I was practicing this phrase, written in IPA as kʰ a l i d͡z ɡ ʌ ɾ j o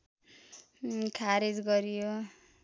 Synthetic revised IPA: kʰ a ɾ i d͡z ɡ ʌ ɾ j o